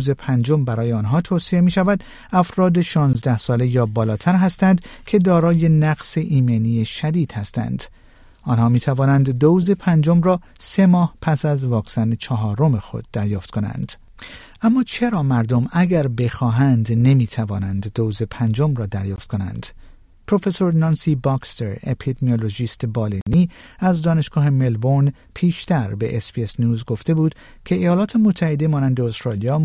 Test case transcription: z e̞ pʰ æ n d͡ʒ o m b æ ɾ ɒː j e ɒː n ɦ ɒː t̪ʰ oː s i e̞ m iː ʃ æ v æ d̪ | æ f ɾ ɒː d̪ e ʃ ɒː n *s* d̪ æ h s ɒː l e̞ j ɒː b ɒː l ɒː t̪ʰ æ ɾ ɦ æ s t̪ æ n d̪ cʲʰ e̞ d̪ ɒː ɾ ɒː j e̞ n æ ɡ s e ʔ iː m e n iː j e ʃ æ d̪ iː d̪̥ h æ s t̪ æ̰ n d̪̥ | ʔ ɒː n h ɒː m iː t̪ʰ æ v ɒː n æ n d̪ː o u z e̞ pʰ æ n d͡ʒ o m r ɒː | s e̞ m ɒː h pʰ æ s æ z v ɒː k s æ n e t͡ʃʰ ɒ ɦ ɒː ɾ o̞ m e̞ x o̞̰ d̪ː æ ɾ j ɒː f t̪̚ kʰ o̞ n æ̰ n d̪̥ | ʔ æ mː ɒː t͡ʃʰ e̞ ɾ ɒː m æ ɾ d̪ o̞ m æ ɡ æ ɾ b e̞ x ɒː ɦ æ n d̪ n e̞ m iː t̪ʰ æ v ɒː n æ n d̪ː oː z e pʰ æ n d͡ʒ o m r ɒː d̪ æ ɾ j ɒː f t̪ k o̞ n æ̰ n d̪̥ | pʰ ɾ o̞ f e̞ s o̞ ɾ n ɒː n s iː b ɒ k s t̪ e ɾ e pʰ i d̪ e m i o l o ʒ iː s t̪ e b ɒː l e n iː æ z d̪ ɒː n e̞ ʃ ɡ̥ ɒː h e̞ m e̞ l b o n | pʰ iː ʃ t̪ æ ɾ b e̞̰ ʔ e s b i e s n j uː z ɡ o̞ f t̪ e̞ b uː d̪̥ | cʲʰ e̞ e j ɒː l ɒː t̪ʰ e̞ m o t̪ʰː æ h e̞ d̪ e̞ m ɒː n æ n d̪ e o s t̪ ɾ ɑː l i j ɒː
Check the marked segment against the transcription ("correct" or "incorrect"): incorrect